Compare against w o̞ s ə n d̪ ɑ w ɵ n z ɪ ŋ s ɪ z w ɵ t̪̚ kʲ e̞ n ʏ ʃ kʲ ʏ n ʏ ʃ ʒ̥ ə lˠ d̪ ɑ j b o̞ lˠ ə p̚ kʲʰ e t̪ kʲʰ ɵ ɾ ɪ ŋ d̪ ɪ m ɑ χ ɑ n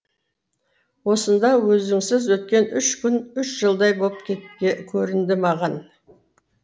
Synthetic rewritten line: w o̞ s ə n d̪ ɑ w ɵ z ɪ ŋ s ɪ z w ɵ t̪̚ kʲ e̞ n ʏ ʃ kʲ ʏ n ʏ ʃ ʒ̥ ə lˠ d̪ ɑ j b o̞ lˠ ə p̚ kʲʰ e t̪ kʲʰ ɵ ɾ ɪ n d̪ ɪ m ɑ ʁ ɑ n